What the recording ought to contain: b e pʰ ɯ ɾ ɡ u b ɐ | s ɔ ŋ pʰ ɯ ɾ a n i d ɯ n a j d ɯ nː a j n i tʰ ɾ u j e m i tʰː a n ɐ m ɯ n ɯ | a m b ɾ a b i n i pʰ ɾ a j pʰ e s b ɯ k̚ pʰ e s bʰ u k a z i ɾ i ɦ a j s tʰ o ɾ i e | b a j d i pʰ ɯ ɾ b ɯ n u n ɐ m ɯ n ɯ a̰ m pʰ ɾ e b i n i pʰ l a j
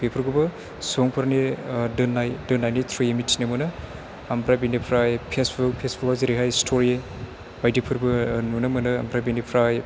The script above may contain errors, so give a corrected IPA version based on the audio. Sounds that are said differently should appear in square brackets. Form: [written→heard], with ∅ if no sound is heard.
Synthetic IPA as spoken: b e pʰ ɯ ɾ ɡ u b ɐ | s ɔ ŋ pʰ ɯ ɾ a n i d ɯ n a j d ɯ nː a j n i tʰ ɾ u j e m i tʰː [a→i] n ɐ m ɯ n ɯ | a m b ɾ a b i n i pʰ ɾ a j pʰ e s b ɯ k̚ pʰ e s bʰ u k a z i ɾ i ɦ a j s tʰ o ɾ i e | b a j d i pʰ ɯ ɾ b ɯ n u n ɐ m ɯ n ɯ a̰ m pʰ ɾ [e→a] b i n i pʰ [l→ɾ] a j